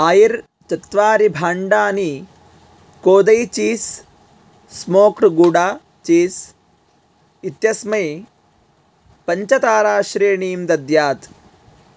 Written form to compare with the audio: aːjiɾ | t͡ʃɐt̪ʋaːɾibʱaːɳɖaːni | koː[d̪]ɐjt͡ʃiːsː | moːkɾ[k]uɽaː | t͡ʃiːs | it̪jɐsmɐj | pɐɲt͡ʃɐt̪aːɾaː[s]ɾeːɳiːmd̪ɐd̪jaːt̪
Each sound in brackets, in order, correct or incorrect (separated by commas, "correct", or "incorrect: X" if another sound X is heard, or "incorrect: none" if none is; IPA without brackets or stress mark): correct, incorrect: ɡ, incorrect: ʃ